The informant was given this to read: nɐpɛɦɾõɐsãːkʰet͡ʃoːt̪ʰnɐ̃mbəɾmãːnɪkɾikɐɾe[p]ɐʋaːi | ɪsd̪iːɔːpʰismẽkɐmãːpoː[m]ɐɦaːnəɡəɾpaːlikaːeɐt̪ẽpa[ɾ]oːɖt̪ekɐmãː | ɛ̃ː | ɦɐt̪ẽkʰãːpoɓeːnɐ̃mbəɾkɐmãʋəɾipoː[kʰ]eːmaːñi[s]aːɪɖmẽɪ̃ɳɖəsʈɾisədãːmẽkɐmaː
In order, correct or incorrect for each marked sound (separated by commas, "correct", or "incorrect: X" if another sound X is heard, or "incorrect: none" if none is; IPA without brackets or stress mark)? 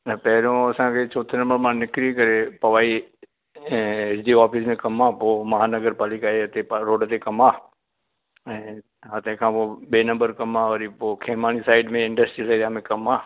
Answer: correct, correct, correct, correct, correct